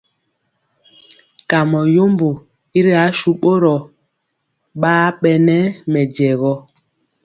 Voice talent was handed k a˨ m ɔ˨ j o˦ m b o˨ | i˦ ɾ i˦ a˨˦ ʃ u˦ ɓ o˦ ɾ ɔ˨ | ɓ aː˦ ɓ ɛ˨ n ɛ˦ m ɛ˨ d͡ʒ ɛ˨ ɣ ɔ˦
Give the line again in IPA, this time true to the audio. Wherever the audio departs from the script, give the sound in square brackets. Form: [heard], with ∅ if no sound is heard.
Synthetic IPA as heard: k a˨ m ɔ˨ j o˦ m b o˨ | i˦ ɾ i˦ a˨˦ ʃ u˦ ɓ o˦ ɾ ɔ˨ | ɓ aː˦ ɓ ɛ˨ n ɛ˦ m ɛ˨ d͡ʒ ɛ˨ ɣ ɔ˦